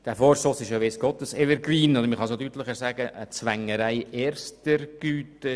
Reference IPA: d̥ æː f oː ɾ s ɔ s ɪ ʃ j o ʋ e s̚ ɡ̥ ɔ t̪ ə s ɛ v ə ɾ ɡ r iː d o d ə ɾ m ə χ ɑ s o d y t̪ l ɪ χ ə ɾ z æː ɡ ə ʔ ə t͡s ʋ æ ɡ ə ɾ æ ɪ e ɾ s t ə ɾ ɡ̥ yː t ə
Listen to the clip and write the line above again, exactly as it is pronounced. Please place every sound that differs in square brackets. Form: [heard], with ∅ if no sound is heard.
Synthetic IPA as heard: d̥ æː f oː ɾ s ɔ s ɪ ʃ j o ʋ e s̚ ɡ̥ ɔ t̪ ə s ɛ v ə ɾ ɡ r iː [n] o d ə ɾ m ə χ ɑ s o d y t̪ l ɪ χ ə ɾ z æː ɡ ə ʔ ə t͡s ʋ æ [ŋ] ə ɾ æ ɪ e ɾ s t ə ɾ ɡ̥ yː t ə